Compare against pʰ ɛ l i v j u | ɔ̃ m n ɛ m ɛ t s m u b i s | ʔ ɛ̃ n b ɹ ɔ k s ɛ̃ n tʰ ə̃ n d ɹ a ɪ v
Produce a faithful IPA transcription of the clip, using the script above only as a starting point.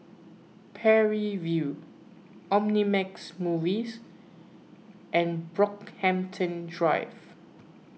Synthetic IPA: pʰ ɛ ɹ i v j u | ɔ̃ m n i m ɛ k s m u v i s | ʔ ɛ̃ n b ɹ ɔ k h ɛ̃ m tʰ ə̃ n d ɹ a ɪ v